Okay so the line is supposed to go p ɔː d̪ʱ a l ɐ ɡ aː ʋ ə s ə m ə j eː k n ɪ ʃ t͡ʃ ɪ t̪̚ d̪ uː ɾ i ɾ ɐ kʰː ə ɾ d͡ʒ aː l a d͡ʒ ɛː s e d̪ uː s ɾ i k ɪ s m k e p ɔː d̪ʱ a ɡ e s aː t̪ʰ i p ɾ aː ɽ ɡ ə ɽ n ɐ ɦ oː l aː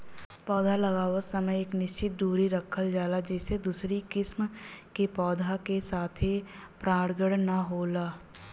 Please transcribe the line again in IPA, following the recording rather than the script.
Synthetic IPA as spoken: p ɔː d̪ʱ a l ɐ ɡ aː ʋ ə s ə m ə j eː k n ɪ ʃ t͡ʃ ɪ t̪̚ d̪ uː ɾ i ɾ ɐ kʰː ə l d͡ʒ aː l a d͡ʒ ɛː s e d̪ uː s ɾ i k ɪ s m k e p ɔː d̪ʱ a k e s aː t̪ʰ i p ɾ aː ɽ ɡ ə ɽ n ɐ ɦ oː l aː